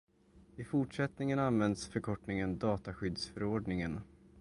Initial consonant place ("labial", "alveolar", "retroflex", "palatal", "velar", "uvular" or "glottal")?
labial